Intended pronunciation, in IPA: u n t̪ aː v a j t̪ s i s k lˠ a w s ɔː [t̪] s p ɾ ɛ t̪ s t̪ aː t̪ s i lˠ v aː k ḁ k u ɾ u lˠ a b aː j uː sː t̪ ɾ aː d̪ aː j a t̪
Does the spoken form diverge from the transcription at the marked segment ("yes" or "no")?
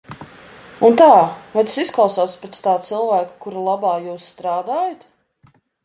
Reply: no